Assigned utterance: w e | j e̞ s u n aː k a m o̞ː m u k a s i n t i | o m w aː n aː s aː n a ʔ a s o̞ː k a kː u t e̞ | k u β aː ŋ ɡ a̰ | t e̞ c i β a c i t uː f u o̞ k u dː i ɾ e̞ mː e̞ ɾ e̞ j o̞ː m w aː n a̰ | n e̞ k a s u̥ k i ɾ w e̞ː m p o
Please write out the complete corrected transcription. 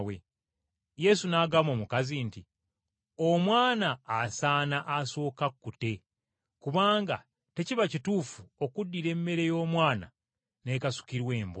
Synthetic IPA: w e | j e̞ s u n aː ɡ a m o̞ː m u k a z i n t i | o m w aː n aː s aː n a ʔ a s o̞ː k a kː u t e̞ | k u β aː ŋ ɡ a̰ | t e̞ c i β a c i t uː f u o̞ k u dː i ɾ e̞ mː e̞ ɾ e̞ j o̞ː m w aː n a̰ | n e̞ k a s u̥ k i ɾ w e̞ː m b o